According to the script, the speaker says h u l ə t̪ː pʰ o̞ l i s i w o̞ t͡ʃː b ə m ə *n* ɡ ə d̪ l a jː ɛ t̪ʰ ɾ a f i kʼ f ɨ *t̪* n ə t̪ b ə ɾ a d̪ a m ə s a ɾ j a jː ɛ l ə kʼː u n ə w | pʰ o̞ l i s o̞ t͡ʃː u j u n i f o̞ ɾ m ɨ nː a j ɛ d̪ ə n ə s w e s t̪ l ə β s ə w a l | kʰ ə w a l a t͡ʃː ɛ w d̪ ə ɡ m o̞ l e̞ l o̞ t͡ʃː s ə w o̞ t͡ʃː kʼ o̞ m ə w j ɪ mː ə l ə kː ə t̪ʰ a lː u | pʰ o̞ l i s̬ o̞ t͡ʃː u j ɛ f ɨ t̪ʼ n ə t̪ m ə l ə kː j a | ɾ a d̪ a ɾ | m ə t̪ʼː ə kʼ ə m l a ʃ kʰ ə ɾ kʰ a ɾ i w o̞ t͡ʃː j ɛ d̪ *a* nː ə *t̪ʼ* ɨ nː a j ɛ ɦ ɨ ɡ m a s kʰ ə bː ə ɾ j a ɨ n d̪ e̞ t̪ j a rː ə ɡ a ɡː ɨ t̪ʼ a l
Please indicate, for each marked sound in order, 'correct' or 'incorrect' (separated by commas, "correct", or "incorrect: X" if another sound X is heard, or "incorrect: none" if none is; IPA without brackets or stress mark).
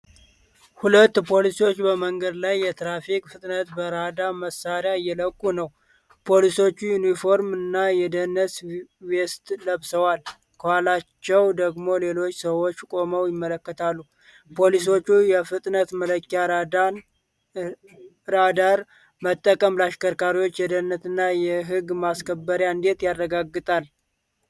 incorrect: ŋ, incorrect: t̪ʼ, incorrect: ə, incorrect: t̪